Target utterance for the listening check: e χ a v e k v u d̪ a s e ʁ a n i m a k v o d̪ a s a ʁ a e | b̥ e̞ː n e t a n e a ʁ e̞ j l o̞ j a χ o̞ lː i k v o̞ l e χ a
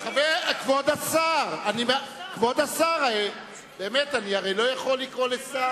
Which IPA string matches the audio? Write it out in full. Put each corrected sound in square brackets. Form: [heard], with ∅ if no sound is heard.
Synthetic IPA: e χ a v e k v [o] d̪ a s [a] ʁ a n i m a k v o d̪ a s a ʁ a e | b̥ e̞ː [m] e t a n [i] a ʁ e̞ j l o̞ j a χ o̞ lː i k [ʁ] o̞ l e [s] a